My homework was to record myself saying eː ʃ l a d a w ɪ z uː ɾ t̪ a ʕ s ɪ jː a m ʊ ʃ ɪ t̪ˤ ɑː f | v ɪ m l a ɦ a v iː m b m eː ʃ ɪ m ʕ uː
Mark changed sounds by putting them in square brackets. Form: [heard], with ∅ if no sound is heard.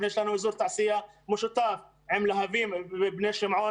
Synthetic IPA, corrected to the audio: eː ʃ l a [n] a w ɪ z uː ɾ t̪ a ʕ s ɪ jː a m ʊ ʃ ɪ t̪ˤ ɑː f | [ʕ] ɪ m l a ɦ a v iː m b [n] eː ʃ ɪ m ʕ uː